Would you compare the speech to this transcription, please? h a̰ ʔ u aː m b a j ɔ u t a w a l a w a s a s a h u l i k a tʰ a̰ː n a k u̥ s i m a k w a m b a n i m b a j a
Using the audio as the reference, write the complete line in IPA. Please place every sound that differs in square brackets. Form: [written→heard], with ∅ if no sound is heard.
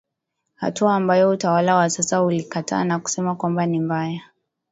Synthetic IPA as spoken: h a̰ [ʔ→t] u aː m b a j ɔ u t a w a l a w a s a s a h u l i k a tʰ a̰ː n a k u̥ s [i→ɛ] m a k w a m b a n i m b a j a